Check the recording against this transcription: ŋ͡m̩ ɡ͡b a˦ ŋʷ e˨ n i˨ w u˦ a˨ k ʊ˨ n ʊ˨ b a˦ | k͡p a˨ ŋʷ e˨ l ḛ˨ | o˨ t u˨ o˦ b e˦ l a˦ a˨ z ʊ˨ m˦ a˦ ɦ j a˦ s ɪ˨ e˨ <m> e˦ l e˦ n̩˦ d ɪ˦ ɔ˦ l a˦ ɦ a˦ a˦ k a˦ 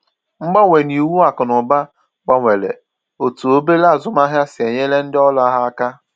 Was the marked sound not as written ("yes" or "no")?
yes